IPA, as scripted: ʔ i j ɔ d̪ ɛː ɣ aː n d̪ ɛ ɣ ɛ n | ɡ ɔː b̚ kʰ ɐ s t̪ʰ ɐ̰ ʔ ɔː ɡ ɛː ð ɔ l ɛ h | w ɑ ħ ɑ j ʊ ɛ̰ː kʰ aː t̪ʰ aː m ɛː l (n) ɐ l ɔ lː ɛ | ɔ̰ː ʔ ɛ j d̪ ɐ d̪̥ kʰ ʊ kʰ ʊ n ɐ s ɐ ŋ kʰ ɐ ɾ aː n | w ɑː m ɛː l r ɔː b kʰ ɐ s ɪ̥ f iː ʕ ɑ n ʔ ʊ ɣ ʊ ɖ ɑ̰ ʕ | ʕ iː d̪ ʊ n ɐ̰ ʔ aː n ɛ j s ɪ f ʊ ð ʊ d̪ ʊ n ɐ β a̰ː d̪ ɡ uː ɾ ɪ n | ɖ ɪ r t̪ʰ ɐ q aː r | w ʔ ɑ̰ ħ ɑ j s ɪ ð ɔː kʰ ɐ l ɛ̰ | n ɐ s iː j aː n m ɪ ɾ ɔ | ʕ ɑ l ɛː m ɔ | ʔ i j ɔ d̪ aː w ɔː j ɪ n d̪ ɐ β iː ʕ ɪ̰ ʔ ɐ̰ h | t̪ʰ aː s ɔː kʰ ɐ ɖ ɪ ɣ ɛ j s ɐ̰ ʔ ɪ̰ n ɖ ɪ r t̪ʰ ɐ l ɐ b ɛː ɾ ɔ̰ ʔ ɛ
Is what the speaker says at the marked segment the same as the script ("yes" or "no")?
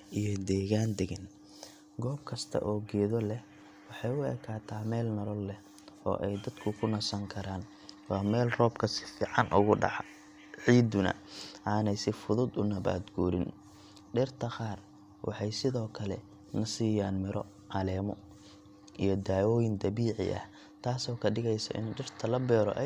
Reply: yes